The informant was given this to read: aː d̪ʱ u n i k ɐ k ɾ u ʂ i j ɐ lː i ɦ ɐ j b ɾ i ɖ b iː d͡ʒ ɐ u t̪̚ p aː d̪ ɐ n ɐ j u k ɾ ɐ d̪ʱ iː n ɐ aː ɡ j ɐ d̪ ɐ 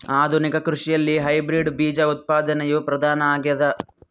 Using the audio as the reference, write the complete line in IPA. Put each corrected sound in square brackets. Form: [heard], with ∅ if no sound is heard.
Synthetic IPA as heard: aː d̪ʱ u n i k ɐ k ɾ u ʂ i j ɐ lː i ɦ ɐ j b ɾ i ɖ b iː d͡ʒ ɐ u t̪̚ p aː d̪ ɐ n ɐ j u [p] ɾ ɐ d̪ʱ [aː] n ɐ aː ɡ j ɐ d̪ ɐ